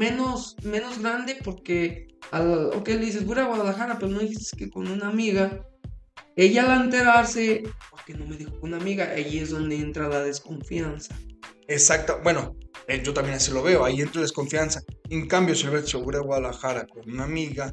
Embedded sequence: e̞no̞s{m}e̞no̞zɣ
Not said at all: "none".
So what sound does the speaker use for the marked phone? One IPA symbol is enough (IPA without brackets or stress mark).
m